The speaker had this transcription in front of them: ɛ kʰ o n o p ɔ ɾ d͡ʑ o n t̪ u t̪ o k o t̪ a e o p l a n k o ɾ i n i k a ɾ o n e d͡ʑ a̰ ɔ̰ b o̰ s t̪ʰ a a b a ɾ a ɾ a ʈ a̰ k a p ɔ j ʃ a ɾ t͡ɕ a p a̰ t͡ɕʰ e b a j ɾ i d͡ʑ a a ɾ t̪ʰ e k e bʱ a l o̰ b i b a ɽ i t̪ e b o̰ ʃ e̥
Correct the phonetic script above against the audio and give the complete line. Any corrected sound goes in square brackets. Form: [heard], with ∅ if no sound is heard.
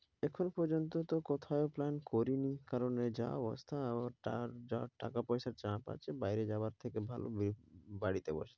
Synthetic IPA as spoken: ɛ kʰ o n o p ɔ ɾ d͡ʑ o n t̪ [o] t̪ o k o [t̪ʰ] a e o p l a n k o ɾ i n i k a ɾ o n e d͡ʑ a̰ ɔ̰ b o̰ s t̪ʰ a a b a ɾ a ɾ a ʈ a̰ k a p ɔ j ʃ a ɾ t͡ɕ a p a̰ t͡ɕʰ e b a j ɾ [e] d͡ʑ a a ɾ t̪ʰ e k e bʱ a l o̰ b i b a ɽ i t̪ e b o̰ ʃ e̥